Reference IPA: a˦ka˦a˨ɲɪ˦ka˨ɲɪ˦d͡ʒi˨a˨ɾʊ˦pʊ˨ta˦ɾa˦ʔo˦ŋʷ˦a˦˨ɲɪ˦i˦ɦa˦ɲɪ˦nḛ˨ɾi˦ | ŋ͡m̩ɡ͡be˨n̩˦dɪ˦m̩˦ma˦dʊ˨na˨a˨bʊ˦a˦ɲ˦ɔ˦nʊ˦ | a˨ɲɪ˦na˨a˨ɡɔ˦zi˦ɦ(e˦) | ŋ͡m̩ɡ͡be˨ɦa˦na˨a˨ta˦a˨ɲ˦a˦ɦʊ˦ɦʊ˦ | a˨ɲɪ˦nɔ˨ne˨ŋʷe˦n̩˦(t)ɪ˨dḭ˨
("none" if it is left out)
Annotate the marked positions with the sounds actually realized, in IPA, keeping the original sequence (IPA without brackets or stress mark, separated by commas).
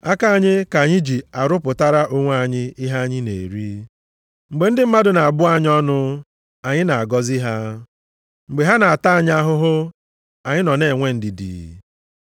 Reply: a˦, d